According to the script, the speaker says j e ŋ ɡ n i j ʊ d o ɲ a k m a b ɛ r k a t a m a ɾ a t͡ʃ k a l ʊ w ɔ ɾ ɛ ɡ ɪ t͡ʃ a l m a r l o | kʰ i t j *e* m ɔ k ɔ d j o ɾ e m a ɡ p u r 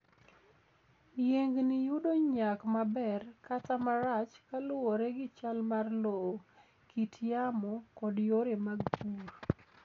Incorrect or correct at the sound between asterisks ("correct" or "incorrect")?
incorrect